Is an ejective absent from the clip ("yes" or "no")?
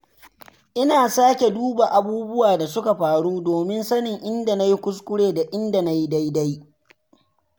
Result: yes